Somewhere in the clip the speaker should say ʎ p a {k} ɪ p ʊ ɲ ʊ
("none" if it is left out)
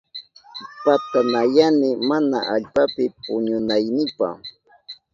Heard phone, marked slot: p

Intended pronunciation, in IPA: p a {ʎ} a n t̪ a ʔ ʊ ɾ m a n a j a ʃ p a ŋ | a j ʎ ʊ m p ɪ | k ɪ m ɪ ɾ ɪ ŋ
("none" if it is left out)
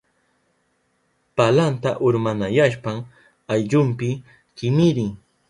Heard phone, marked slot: l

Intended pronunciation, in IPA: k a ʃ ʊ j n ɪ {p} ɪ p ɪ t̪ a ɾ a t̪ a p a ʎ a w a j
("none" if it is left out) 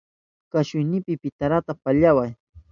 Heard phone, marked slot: p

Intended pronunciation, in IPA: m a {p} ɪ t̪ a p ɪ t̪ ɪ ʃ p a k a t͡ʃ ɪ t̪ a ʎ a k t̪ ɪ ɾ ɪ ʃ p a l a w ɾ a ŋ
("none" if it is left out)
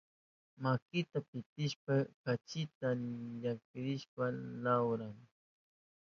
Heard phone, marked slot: k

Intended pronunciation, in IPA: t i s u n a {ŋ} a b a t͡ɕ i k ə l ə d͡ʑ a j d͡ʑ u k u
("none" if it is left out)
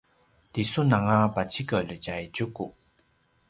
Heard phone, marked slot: ŋ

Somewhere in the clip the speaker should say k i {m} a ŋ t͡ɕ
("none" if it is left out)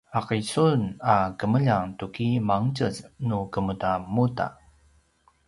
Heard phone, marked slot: m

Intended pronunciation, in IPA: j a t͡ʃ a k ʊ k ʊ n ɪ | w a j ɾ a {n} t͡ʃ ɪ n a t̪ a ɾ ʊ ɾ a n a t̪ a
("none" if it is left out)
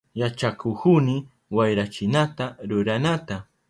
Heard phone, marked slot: none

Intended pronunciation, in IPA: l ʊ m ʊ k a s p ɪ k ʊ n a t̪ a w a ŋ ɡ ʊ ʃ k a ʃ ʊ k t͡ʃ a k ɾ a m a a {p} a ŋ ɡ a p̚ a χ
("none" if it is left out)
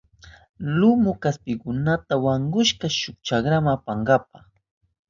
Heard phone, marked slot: p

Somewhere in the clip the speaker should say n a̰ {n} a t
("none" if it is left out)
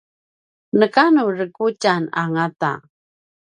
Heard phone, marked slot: ŋ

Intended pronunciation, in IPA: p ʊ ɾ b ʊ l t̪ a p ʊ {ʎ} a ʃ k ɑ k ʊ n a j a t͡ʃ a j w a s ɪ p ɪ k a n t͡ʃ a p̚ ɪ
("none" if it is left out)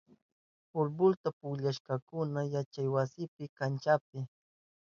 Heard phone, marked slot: ʎ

